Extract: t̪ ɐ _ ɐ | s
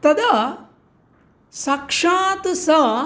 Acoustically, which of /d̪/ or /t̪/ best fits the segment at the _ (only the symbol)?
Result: d̪